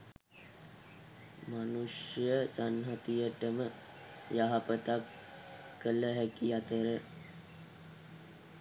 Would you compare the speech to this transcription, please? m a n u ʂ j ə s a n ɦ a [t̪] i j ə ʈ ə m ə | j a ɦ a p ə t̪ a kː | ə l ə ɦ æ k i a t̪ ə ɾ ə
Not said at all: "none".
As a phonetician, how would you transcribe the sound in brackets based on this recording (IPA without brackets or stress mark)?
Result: t̪